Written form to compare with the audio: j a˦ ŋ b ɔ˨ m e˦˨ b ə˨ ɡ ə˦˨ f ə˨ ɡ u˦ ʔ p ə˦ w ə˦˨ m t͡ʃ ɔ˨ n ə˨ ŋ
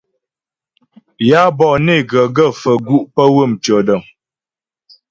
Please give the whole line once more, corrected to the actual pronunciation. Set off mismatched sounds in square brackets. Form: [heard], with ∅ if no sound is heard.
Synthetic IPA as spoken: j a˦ [∅] b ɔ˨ [n] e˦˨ [ɡ] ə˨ ɡ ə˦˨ f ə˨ ɡ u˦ ʔ p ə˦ w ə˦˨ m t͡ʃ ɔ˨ [d] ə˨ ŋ